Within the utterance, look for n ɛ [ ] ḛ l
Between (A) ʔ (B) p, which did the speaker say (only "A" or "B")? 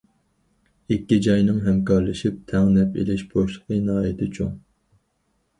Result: B